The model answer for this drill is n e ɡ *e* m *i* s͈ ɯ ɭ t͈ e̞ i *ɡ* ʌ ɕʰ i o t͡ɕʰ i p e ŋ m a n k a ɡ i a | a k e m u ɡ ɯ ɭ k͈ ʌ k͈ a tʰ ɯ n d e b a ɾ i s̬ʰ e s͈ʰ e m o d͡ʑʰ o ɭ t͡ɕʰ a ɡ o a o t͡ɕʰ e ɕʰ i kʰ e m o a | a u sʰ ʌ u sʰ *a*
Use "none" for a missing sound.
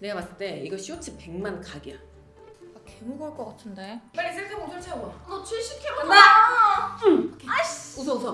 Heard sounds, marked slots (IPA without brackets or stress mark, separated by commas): a, a, ɡ, ʌ